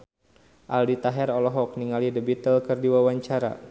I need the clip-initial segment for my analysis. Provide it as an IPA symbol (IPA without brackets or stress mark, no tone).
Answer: ʔ